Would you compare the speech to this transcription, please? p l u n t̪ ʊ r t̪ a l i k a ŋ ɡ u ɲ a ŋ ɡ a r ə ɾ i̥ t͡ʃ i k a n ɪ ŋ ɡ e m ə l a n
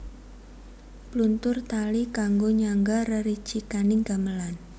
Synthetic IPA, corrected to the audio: p l u n t̪ ʊ r t̪ a l i k a ŋ ɡ o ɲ a ŋ ɡ a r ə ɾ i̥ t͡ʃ i k a n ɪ ŋ ɡ a m ə l a n